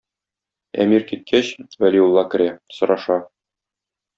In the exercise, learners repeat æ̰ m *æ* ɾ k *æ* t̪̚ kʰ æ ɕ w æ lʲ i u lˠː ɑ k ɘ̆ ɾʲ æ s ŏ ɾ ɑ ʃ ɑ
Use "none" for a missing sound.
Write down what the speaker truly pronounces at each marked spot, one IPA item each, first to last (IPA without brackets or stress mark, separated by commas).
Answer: i, i